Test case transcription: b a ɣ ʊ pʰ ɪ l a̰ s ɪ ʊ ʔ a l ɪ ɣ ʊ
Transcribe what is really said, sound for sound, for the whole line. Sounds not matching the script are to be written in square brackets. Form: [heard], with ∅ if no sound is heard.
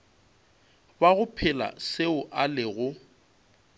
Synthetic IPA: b a ɣ ʊ pʰ ɪ l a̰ s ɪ ʊ ʔ a l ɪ ɣ ʊ